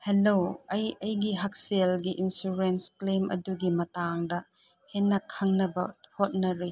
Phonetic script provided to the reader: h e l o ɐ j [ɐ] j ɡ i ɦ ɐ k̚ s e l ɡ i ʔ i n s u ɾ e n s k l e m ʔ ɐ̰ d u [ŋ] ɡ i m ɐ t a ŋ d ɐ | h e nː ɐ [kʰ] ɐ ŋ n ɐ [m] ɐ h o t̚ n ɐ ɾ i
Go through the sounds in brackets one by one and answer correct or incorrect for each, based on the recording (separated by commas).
correct, incorrect, correct, incorrect